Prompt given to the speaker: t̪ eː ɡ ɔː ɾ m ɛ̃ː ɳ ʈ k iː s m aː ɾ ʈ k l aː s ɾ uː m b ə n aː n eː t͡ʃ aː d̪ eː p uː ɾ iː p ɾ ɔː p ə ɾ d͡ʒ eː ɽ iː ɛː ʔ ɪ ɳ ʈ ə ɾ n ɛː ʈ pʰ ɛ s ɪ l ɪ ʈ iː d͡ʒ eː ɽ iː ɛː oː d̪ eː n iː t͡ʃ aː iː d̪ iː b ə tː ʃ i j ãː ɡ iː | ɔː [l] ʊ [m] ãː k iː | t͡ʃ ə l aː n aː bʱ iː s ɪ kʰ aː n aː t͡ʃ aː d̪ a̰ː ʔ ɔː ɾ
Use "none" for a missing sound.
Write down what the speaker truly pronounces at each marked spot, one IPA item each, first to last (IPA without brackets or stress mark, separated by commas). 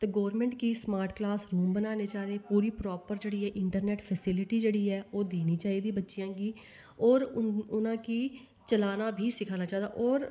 ɾ, n